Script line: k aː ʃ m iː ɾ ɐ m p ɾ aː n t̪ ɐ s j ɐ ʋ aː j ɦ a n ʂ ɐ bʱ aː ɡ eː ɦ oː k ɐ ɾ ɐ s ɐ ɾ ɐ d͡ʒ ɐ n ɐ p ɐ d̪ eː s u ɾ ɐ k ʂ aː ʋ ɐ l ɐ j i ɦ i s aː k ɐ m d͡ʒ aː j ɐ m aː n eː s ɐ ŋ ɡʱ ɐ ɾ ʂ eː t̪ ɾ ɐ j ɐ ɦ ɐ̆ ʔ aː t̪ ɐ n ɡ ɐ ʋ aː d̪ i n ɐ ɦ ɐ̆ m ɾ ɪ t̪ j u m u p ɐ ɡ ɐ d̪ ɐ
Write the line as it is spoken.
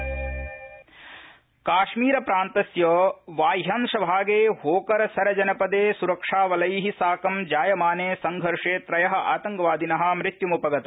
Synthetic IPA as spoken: k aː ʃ m iː ɾ ɐ p ɾ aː n t̪ ɐ s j ɐ ʋ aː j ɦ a n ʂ ɐ bʱ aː ɡ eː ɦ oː k ɐ ɾ ɐ s ɐ ɾ ɐ d͡ʒ ɐ n ɐ p ɐ d̪ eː s u ɾ ɐ k ʂ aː ʋ ɐ l ɐ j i ɦ i s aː k ɐ m d͡ʒ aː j ɐ m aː n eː s ɐ ŋ ɡʱ ɐ ɾ ʂ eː t̪ ɾ ɐ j ɐ ɦ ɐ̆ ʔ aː t̪ ɐ ŋ ɡ ɐ ʋ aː d̪ i n ɐ ɦ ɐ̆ m ɾ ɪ t̪ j u m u p ɐ ɡ ɐ t̪ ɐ